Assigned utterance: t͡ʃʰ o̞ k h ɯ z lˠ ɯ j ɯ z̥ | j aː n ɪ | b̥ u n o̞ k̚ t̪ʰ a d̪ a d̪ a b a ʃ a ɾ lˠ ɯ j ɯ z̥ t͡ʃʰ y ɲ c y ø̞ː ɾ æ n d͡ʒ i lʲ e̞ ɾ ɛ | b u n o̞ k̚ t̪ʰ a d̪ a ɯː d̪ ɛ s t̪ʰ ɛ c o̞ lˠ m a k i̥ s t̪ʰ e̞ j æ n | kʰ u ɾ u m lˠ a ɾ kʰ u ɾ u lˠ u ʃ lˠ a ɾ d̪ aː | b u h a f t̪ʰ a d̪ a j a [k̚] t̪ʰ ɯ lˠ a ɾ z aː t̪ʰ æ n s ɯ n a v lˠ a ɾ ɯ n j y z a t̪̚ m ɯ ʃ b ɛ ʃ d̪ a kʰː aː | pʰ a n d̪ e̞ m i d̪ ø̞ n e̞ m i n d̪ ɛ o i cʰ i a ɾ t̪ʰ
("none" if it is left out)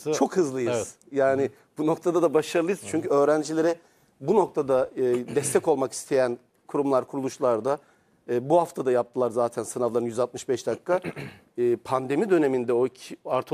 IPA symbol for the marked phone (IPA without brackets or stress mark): p̚